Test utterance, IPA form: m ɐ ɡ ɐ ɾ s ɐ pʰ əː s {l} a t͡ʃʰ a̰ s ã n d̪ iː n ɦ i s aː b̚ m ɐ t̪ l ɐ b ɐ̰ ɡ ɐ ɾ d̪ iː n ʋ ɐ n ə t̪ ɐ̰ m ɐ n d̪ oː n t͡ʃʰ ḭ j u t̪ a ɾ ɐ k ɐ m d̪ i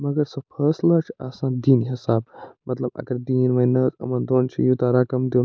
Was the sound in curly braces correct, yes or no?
yes